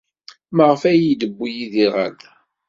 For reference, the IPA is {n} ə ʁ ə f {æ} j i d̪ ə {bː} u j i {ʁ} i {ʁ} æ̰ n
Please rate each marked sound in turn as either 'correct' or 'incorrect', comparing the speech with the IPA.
incorrect, correct, correct, incorrect, correct

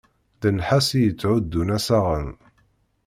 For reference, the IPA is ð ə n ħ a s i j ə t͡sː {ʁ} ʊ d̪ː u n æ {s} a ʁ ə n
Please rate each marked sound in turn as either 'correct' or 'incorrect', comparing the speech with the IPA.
incorrect, correct

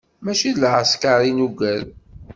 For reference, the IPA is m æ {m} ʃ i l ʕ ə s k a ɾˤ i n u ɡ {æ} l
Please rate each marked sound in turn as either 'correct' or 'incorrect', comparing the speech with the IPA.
incorrect, correct

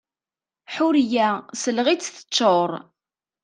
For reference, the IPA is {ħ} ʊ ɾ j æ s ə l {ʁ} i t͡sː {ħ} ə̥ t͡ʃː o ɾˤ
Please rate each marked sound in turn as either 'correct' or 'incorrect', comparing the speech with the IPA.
correct, correct, incorrect

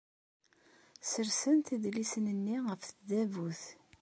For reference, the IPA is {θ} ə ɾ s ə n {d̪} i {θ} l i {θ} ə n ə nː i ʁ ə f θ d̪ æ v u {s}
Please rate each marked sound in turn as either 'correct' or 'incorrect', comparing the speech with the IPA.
incorrect, incorrect, incorrect, incorrect, incorrect

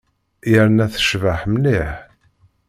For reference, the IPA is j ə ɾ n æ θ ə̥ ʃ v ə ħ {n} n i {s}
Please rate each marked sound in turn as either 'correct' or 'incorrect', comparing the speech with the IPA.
incorrect, incorrect

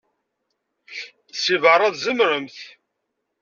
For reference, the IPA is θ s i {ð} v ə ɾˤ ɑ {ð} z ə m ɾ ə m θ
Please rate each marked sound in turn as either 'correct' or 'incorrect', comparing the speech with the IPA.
incorrect, correct

